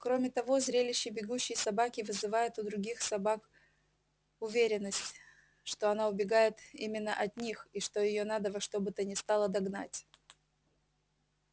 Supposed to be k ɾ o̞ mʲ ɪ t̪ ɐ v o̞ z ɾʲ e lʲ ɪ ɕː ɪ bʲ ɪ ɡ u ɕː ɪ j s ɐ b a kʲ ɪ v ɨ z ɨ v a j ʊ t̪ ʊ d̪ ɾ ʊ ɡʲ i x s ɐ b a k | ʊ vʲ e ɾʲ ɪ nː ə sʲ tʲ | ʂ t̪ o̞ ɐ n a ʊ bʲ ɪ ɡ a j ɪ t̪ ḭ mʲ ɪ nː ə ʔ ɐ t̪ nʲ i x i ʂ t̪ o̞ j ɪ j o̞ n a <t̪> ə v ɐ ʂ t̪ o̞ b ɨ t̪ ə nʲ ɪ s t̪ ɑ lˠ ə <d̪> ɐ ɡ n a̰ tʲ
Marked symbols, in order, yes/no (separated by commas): no, yes